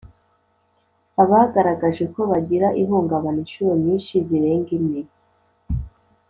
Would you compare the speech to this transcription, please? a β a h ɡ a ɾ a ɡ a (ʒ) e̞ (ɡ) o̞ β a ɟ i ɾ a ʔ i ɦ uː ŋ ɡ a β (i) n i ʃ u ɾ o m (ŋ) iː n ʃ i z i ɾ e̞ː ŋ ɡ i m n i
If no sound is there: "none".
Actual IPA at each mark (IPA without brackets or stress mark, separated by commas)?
ʒ, k, a, ɲ